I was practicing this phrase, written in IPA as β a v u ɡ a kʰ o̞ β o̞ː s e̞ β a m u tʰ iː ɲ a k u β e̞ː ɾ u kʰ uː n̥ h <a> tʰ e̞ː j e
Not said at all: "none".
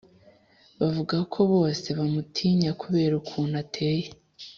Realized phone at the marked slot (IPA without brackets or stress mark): a